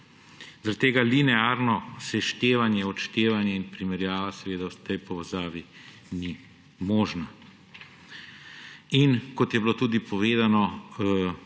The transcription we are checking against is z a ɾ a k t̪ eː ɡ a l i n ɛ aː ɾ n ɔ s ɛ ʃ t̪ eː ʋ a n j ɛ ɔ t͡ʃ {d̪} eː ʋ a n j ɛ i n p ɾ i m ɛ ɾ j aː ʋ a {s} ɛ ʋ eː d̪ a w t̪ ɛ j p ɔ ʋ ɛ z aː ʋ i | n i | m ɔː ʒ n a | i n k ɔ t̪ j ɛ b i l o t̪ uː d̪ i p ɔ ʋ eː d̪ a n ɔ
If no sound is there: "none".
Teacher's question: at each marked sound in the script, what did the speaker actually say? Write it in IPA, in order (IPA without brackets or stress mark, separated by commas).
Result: t̪, s